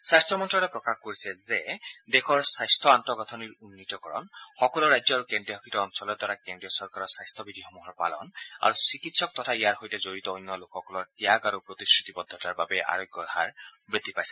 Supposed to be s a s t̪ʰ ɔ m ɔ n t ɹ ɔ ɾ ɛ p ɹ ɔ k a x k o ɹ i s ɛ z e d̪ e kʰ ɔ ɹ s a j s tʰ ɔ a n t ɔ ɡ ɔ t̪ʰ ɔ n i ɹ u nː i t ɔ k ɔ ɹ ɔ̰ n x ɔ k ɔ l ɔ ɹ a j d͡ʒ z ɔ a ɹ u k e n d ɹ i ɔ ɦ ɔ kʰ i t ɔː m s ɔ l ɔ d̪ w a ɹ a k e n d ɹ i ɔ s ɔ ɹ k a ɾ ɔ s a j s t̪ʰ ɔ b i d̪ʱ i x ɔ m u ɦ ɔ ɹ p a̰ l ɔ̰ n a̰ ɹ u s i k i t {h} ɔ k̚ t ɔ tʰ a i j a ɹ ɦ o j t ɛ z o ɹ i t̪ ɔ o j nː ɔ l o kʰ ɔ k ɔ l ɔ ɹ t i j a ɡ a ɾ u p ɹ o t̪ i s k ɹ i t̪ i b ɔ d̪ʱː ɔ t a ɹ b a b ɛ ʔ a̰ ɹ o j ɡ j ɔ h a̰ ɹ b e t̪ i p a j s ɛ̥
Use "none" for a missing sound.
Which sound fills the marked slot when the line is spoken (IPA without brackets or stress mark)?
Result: s